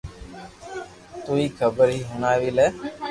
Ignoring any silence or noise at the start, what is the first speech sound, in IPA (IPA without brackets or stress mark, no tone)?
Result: t̪